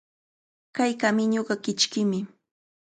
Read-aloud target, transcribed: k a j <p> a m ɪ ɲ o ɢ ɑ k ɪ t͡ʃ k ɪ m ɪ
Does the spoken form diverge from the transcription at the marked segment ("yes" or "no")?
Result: yes